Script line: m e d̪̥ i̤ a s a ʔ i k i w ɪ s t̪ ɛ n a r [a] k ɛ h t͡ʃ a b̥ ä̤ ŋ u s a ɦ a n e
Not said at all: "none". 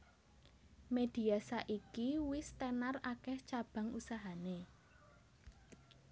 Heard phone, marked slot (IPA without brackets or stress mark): a